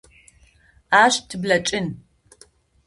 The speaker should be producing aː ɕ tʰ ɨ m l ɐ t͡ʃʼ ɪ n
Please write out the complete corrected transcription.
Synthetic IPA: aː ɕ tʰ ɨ b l ɐ t͡ʃʼ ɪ n